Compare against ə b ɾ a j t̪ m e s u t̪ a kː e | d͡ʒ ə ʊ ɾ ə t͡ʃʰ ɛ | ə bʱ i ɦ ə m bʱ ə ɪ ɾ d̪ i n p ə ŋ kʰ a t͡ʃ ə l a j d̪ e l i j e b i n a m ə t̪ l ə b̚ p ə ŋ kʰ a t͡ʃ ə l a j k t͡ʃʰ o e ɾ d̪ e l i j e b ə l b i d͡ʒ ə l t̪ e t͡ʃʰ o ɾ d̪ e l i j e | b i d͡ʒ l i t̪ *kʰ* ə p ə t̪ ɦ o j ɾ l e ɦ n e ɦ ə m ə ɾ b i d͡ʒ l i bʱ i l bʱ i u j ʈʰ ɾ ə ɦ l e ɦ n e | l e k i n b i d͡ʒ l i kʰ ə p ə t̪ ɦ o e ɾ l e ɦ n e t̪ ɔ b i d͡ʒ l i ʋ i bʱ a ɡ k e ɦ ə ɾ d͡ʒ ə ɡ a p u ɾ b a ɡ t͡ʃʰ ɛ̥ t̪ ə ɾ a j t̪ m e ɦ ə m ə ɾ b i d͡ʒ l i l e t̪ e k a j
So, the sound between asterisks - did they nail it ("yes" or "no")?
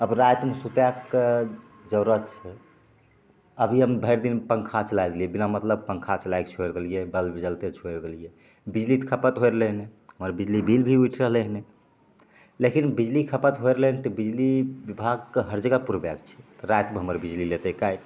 yes